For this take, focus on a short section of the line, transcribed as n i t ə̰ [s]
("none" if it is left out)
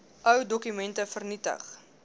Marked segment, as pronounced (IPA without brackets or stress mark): χ